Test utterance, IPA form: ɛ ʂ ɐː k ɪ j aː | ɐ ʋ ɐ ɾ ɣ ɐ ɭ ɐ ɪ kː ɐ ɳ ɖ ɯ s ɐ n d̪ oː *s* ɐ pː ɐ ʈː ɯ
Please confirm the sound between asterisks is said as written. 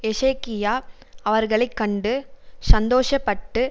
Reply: no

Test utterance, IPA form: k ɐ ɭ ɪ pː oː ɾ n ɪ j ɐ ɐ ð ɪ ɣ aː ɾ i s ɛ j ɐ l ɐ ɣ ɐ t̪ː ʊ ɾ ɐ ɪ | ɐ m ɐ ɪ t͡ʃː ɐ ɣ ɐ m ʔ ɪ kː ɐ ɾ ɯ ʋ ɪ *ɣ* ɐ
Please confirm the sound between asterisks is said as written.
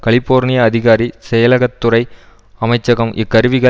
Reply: yes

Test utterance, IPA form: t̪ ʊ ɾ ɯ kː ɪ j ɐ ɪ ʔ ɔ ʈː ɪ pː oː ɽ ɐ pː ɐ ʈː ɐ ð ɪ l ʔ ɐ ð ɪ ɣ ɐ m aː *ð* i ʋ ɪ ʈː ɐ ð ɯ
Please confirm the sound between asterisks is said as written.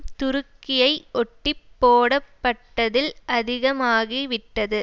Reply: no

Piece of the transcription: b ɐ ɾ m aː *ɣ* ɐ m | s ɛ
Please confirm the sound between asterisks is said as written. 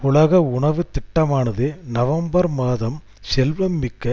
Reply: no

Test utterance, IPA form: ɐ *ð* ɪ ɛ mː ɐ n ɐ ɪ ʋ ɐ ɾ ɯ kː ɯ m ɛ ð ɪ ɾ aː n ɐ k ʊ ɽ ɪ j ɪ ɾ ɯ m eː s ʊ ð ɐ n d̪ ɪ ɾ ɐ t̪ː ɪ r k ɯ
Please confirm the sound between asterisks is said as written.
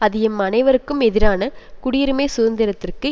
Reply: yes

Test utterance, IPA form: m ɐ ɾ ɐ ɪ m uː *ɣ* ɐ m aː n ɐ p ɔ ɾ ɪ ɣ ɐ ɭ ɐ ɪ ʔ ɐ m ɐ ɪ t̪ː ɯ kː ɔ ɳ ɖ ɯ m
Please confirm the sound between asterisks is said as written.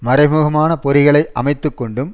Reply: yes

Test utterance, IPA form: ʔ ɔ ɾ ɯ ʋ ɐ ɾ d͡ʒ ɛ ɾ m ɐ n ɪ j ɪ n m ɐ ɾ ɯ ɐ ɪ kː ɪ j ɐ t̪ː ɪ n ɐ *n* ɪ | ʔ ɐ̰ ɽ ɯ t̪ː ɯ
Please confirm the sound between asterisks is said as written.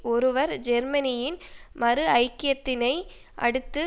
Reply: no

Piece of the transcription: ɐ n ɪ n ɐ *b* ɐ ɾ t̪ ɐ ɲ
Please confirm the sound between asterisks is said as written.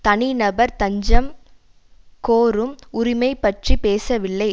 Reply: yes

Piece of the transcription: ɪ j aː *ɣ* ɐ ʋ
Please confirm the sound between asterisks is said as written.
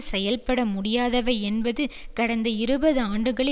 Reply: no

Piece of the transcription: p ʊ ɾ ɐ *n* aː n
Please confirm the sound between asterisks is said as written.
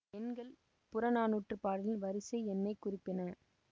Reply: yes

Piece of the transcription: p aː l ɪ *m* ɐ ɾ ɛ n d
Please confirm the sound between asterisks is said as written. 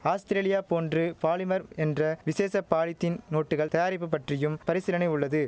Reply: yes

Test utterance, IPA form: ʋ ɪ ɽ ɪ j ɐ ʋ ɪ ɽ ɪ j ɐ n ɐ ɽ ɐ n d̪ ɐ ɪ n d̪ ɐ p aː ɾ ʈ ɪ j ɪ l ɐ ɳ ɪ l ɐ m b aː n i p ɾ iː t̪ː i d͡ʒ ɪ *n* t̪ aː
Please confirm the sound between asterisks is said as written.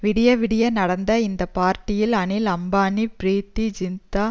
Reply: yes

